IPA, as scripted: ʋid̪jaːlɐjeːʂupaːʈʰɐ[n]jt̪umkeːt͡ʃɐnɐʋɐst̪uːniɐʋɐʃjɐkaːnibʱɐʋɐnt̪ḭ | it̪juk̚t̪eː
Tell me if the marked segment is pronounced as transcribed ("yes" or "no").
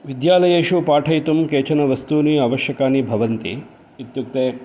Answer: no